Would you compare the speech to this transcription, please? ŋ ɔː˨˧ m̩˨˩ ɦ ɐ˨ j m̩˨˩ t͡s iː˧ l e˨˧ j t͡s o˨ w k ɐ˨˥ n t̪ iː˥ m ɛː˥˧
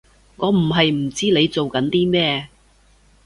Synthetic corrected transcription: ŋ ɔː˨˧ m̩˨˩ ɦ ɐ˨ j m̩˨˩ t͡s iː˥ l e˨˧ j t͡s o˨ w k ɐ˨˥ n t̪ iː˥ m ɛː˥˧

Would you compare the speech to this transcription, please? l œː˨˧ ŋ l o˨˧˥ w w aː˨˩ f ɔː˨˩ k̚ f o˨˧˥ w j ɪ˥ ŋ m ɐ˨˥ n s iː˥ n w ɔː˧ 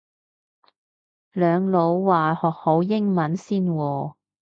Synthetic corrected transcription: l œː˨˧ ŋ l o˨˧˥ w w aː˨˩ h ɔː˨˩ k̚ h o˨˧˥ w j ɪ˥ ŋ m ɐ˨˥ n s iː˥ n w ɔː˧

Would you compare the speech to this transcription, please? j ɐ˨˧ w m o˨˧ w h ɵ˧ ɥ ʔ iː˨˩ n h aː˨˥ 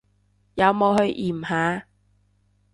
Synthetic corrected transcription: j ɐ˨˧ w m o˨˧ w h ɵ˧ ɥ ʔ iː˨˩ m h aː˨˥

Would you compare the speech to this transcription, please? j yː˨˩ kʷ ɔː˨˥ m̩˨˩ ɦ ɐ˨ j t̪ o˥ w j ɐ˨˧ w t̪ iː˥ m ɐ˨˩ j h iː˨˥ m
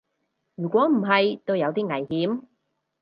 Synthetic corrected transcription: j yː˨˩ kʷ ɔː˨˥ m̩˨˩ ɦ ɐ˨ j t̪ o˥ w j ɐ˨˧ w t̪ iː˥ ŋ ɐ˨˩ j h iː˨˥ m

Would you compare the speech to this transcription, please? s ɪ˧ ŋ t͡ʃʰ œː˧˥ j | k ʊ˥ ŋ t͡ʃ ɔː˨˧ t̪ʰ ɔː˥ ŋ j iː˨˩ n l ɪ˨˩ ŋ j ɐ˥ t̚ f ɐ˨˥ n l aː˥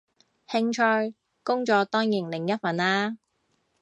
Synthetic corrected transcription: h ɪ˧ ŋ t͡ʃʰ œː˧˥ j | k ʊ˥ ŋ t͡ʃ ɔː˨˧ t̪ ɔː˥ ŋ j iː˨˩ n l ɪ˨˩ ŋ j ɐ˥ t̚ f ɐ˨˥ n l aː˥

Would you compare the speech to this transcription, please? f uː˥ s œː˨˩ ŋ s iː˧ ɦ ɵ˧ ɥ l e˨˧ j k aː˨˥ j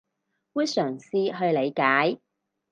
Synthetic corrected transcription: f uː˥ s œː˨˩ ŋ s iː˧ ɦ ɵ˧ ɥ l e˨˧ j k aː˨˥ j

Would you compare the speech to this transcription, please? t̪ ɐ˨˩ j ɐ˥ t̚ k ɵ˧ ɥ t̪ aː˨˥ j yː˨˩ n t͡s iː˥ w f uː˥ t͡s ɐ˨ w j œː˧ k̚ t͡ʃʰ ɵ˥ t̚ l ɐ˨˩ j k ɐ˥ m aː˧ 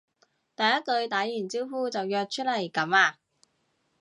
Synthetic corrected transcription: t̪ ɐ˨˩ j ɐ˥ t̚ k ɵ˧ ɥ t̪ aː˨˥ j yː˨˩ n t͡s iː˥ w f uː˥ t͡s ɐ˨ w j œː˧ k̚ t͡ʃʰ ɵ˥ t̚ l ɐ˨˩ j k ɐ˨˥ m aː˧

